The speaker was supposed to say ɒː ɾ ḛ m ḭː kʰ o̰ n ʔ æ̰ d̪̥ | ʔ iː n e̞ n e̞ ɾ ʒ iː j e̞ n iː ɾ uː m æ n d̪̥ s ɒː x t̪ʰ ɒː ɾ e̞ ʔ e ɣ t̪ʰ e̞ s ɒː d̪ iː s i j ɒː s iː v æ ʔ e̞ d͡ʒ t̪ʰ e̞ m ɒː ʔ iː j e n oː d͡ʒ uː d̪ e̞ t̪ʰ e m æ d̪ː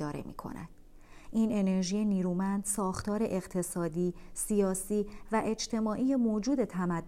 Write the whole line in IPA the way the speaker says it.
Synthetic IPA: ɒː ɾ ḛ m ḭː kʰ o̰ n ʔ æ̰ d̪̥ | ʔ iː n e̞ n e̞ ɾ ʒ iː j e̞ n iː ɾ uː m æ n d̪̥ s ɒː x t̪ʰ ɒː ɾ e̞ ʔ e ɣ t̪ʰ e̞ s ɒː d̪ iː s i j ɒː s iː v æ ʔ e̞ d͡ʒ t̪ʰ e̞ m ɒː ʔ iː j e m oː d͡ʒ uː d̪ e̞ t̪ʰ æ m æ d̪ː